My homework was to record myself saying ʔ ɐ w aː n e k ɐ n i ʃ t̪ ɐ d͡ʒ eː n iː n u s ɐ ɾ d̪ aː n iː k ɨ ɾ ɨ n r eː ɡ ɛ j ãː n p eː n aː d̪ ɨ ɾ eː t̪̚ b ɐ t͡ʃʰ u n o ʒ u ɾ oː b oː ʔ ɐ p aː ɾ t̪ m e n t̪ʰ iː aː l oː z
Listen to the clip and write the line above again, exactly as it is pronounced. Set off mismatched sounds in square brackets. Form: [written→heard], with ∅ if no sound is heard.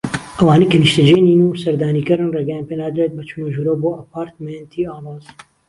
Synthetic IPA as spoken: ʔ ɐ w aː n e k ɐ n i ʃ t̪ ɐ d͡ʒ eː n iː n u s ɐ ɾ d̪ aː n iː k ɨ ɾ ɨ n r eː ɡ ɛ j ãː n p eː n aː d̪ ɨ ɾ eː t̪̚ b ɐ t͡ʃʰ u n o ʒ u ɾ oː b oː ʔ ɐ p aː ɾ t̪ m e n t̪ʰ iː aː l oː z